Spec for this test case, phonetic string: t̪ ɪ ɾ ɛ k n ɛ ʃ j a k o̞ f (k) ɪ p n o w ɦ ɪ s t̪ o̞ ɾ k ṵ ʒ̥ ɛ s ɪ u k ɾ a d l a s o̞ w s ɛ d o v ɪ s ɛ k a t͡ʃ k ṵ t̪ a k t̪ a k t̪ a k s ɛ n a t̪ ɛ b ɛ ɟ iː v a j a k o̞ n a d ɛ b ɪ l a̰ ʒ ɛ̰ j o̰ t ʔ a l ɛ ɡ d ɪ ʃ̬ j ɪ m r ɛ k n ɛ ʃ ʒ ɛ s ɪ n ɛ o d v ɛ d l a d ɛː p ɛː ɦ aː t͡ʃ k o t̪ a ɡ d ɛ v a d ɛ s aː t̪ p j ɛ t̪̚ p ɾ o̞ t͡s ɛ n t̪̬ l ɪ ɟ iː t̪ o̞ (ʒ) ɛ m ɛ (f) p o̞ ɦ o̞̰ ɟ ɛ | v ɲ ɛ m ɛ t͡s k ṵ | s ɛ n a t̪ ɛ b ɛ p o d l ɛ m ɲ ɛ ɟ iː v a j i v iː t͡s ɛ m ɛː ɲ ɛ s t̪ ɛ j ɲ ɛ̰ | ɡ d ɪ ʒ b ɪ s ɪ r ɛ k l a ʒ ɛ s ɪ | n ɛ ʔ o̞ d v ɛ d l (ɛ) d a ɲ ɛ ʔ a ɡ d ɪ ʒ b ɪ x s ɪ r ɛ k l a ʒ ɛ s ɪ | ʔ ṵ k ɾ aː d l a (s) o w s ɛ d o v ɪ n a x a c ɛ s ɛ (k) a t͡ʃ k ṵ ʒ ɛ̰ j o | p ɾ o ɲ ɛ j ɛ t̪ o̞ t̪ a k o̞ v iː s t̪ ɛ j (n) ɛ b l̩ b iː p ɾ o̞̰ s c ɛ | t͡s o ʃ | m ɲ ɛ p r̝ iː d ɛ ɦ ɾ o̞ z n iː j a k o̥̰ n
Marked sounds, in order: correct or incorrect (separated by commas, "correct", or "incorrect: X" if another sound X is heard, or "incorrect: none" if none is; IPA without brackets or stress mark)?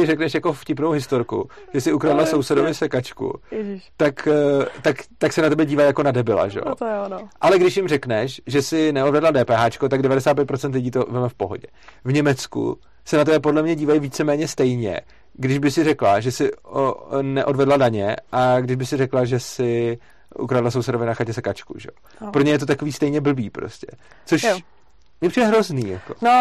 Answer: incorrect: c, incorrect: v, correct, incorrect: a, correct, correct, incorrect: ɲ